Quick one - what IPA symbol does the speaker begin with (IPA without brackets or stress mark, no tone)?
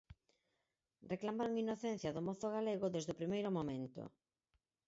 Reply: r